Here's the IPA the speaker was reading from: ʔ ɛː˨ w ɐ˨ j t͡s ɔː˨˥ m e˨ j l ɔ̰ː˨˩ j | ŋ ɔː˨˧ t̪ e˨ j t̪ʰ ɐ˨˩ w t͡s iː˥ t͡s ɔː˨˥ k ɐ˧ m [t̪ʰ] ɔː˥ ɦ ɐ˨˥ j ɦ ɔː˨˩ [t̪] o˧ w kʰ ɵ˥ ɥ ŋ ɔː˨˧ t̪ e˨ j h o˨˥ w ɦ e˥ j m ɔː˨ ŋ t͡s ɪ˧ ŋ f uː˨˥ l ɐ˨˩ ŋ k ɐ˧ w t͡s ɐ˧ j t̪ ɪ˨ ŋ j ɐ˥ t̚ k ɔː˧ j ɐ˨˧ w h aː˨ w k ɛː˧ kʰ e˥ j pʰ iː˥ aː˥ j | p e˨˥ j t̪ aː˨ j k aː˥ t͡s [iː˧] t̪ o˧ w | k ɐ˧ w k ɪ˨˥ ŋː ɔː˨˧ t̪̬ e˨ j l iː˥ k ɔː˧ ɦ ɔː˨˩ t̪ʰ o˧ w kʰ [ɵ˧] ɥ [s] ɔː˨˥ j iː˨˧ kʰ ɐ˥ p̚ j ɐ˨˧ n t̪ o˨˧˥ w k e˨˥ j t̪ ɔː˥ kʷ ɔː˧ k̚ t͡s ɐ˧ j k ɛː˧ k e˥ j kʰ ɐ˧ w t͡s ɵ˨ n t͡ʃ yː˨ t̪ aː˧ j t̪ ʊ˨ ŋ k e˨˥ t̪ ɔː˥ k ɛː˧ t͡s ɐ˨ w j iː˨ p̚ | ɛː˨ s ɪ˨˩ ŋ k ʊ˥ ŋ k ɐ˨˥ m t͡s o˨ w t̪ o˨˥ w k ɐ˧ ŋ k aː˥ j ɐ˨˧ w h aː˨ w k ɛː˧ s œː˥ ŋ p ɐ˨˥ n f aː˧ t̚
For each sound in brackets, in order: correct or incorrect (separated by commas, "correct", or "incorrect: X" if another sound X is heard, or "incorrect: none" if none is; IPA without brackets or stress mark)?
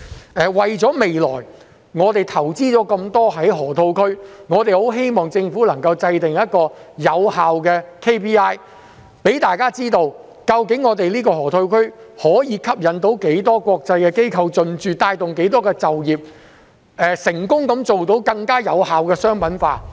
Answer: incorrect: t̪, incorrect: t̪ʰ, incorrect: iː˥, incorrect: ɵ˥, incorrect: h